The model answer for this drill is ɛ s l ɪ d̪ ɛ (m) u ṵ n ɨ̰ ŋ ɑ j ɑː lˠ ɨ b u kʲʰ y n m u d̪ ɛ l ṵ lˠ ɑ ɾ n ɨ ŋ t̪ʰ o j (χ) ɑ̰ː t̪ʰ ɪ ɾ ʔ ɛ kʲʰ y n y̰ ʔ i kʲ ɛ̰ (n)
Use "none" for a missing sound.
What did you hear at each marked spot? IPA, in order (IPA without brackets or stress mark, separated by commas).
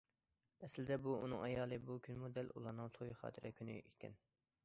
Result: b, χ, n